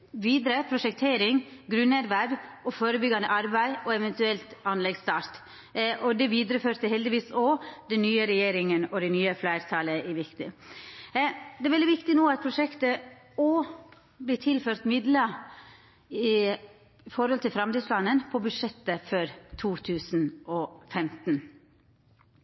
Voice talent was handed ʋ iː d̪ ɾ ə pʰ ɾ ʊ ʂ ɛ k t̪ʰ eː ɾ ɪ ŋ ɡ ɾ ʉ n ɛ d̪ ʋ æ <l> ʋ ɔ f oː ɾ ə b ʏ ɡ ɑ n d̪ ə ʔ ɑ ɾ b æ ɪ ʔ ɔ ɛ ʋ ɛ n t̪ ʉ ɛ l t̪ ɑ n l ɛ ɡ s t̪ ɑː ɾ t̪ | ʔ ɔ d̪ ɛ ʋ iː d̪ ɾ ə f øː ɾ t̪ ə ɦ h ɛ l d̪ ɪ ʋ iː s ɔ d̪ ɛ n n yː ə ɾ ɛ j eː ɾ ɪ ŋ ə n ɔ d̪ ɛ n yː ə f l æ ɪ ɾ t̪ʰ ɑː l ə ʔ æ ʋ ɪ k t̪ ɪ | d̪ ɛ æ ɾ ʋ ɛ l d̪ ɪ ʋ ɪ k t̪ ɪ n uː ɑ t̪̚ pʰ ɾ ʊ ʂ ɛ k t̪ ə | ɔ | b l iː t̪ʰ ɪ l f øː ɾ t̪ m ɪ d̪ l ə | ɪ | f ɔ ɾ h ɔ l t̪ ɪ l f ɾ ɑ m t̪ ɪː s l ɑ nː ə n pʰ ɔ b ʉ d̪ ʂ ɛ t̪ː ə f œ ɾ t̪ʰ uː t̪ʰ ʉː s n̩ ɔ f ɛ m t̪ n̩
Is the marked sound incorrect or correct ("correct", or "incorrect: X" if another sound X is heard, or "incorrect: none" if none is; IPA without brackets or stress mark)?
incorrect: ɾ